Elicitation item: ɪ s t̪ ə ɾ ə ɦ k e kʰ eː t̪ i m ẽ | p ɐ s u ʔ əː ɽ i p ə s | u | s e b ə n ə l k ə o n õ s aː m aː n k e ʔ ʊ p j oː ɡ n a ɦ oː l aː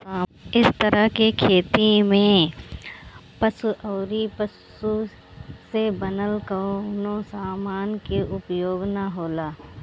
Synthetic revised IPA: ɪ s t̪ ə ɾ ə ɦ k e kʰ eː t̪ i m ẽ | p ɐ s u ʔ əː ɾ i p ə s | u | s e b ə n ə l k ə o n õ s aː m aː n k e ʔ ʊ p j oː ɡ n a ɦ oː l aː